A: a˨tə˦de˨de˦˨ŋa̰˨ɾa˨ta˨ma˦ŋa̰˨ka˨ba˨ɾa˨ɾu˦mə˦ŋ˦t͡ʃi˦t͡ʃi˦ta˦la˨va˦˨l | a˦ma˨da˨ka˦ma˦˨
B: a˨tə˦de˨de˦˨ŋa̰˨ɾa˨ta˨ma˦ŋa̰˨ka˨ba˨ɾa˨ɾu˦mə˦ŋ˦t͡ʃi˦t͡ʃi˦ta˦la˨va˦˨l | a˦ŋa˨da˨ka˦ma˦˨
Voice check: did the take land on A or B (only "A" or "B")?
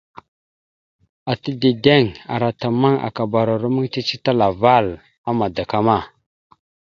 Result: A